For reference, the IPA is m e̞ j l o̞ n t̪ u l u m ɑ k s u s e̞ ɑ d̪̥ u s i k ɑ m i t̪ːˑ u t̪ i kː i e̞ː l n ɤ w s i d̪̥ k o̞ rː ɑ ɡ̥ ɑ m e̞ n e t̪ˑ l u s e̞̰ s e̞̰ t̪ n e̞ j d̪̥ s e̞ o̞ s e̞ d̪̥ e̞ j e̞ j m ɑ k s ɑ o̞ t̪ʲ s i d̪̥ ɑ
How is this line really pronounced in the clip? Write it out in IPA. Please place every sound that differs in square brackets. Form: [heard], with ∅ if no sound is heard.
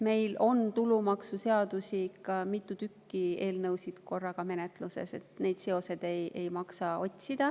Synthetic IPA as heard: m e̞ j l o̞ n t̪ u l u m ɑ k s u s e̞ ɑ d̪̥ u s i k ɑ m i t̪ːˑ u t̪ [y] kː i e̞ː l n ɤ w s i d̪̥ k o̞ rː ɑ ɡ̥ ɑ m e̞ n e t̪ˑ l u s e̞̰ s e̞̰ t̪ n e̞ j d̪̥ s e̞ o̞ s e̞ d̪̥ e̞ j e̞ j m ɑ k s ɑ o̞ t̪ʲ s i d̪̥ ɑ